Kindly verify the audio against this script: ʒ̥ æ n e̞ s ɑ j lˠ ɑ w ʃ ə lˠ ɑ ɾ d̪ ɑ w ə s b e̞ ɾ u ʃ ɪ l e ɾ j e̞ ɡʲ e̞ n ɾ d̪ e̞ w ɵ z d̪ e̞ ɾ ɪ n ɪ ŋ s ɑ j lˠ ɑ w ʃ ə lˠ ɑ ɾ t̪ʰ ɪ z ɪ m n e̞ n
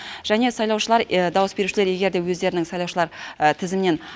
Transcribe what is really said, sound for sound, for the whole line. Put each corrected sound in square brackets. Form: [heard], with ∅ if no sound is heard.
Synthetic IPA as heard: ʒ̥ æ n e̞ s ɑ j lˠ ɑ w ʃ ə lˠ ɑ ɾ d̪ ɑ w ə s b e̞ ɾ u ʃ ɪ l e ɾ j e̞ ɡʲ e̞ [∅] ɾ d̪ e̞ w ɵ z d̪ e̞ ɾ ɪ n ɪ ŋ s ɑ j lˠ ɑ w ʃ ə lˠ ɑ ɾ t̪ʰ ɪ z ɪ m n e̞ n